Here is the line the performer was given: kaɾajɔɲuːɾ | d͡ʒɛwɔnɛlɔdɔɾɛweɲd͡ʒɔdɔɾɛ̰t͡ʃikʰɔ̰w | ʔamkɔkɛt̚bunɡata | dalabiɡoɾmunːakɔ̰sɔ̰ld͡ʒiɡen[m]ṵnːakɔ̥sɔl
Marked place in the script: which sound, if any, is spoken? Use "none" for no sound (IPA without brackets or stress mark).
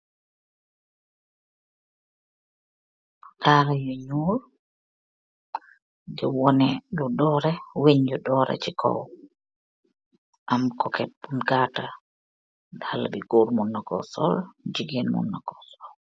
m